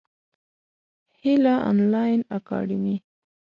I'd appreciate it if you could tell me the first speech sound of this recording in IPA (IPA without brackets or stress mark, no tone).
h